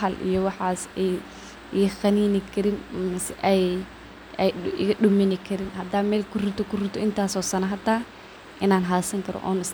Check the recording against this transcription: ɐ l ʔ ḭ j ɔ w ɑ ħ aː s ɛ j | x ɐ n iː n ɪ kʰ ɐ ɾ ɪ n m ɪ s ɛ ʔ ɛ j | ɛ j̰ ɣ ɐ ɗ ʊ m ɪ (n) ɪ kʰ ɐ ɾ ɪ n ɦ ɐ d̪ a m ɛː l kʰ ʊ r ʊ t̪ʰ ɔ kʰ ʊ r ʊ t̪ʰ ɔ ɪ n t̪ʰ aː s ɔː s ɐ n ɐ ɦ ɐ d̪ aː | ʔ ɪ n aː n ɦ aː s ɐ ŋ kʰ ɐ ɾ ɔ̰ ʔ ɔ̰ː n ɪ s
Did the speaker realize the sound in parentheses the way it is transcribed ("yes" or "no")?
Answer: yes